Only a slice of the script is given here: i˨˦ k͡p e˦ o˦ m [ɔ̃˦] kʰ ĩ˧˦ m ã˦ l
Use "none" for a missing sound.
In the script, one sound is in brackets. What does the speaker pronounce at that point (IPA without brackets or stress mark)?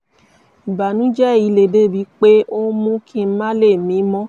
ũ˦